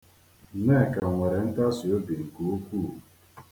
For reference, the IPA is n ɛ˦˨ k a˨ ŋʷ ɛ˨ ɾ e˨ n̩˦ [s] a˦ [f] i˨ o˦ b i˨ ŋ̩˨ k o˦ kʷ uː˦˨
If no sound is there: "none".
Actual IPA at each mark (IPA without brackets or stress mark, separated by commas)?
t, s